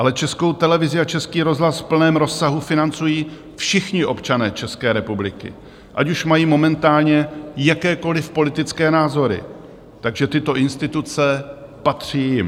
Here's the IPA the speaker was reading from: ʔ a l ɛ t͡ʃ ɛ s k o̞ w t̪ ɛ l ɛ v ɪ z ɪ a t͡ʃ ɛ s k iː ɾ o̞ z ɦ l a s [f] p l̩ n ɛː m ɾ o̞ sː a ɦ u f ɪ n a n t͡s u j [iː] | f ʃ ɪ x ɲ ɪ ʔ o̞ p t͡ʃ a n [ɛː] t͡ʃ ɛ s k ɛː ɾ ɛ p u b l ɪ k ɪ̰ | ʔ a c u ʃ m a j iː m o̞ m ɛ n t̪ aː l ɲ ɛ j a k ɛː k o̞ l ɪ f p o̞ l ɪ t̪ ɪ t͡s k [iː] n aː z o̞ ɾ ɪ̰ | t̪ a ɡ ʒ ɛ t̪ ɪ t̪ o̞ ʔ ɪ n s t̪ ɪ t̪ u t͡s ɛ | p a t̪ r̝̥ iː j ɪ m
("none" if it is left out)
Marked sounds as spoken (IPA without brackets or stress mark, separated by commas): f, iː, ɛː, ɛː